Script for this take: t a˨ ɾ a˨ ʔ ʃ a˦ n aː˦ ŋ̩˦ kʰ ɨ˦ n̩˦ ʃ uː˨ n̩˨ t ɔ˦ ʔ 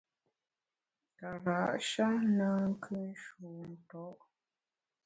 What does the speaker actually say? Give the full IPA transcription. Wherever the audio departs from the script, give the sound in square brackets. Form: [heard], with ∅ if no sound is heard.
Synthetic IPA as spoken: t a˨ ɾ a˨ ʔ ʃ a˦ n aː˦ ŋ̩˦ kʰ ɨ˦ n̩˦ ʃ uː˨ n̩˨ t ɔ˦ ʔ